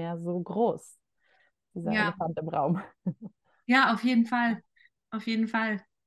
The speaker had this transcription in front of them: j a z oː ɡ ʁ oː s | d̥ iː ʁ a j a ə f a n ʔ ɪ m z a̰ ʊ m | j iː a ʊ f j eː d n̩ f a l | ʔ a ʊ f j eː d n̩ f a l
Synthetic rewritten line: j a z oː ɡ ʁ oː s | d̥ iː z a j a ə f a n t ɪ m ʁ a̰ ʊ m | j aː a ʊ f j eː d n̩ f a l | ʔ a ʊ f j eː d n̩ f a l